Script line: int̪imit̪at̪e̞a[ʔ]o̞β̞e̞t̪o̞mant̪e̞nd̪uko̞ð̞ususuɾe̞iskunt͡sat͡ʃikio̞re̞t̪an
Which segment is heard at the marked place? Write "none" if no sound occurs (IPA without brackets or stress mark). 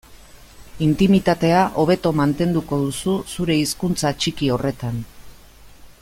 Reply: ʔ